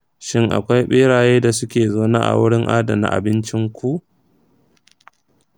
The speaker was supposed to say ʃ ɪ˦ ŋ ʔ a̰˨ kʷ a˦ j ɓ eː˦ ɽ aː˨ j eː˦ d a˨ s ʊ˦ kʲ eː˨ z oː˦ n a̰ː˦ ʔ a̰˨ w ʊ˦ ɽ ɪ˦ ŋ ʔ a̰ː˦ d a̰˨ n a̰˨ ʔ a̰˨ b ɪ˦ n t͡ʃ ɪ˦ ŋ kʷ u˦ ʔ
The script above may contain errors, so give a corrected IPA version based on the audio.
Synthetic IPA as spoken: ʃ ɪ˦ ŋ ʔ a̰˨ kʷ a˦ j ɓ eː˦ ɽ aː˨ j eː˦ d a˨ s ʊ˦ kʲ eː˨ z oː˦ n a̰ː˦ ʔ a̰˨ w ʊ˦ ɽ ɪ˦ ŋ ʔ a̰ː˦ d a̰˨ n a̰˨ ʔ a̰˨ b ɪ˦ n t͡ʃ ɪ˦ ŋ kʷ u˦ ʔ